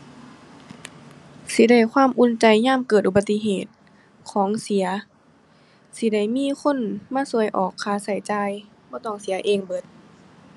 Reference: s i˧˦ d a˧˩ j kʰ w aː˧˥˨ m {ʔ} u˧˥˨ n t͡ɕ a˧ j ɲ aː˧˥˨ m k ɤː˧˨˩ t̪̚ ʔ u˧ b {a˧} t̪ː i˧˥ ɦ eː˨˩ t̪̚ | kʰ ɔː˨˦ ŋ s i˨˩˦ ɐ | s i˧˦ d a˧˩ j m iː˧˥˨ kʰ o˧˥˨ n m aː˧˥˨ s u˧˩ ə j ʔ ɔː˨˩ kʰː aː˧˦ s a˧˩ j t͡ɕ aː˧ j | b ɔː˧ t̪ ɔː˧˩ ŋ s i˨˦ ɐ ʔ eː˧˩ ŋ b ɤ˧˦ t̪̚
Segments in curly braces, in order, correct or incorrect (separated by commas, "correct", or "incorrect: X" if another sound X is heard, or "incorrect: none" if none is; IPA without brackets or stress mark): correct, correct